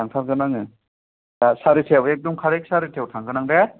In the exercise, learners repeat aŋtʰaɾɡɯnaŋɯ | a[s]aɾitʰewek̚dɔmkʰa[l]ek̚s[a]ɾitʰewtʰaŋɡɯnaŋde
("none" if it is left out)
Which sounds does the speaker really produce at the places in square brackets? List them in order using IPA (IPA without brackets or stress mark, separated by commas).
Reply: s, ɾ, a